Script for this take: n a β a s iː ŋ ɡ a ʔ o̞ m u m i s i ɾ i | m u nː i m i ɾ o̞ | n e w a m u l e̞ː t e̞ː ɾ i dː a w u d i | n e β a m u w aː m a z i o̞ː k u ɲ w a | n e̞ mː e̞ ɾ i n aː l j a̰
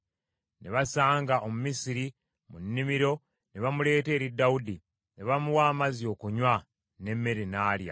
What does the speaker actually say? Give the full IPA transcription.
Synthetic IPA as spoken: n e β a s aː ŋ ɡ a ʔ o̞ m u m i s i ɾ i | m u nː i m i ɾ o̞ | n e β a m u l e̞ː t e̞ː ɾ i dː a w u d i | n e β a m u w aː m a z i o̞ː k u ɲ w a | n e̞ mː e̞ ɾ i n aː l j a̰